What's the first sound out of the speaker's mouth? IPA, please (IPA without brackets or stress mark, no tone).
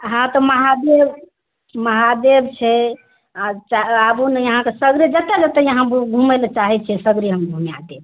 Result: ɦ